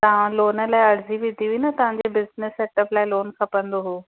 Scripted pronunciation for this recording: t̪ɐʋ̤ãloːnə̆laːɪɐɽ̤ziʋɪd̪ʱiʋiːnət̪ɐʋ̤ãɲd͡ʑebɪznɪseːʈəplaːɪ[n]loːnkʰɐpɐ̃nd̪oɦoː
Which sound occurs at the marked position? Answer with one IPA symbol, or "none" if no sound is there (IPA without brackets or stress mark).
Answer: none